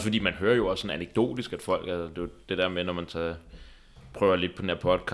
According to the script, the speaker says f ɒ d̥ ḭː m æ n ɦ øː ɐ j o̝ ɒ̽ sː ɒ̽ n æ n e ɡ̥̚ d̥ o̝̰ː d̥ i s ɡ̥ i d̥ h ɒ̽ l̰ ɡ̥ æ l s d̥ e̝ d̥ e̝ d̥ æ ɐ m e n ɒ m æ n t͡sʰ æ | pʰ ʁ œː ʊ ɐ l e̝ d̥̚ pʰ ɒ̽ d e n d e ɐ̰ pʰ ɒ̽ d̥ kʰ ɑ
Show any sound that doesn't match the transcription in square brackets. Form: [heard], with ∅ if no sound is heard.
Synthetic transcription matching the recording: f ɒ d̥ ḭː m æ n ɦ øː ɐ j o̝ ɒ̽ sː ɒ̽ n æ n e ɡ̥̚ d̥ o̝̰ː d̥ i s ɡ̥ [æ] d̥ [f] ɒ̽ l̰ ɡ̥ æ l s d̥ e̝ d̥ e̝ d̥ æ ɐ m e n ɒ m æ n t͡sʰ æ | pʰ ʁ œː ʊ ɐ l e̝ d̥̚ pʰ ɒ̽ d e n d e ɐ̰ pʰ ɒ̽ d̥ kʰ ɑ